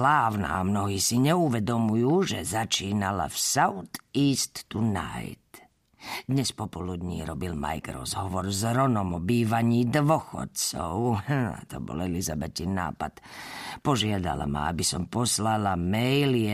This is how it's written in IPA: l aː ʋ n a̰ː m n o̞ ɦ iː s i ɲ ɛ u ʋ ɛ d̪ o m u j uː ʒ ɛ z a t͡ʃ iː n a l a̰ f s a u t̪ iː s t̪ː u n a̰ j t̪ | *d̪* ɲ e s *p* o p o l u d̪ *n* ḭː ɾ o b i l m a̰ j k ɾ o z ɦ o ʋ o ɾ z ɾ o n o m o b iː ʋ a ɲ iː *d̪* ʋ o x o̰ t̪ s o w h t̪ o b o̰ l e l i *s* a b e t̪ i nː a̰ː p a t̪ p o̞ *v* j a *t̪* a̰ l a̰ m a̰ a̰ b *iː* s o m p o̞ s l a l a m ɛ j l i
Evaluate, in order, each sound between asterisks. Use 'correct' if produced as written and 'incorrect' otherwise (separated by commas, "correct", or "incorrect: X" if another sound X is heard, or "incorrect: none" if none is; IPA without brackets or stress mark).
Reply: correct, correct, incorrect: ɲ, correct, incorrect: z, incorrect: ʒ, incorrect: d̪, incorrect: i